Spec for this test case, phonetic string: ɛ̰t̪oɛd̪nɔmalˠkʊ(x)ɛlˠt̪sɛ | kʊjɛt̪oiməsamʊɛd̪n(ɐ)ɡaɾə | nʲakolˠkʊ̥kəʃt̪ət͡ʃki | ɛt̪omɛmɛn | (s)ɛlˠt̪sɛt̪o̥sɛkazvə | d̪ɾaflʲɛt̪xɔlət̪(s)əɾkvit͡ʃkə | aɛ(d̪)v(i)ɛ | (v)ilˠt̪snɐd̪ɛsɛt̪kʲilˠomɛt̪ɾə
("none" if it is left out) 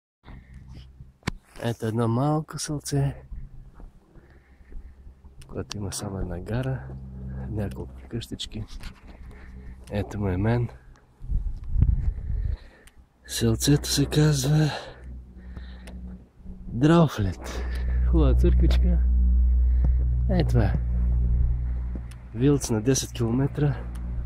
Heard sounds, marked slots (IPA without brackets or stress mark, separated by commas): s, a, s, s, t̪, a, v